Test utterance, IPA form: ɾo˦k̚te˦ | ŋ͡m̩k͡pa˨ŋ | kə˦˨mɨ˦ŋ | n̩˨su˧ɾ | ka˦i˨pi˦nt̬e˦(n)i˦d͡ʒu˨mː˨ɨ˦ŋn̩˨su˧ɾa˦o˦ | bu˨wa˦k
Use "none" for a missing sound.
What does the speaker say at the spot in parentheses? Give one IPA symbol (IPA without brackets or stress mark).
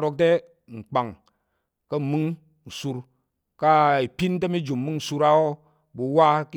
m